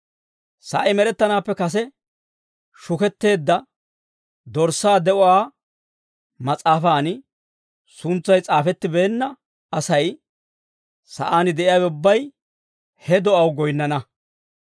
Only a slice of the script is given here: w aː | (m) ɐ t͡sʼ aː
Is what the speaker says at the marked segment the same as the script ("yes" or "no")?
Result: yes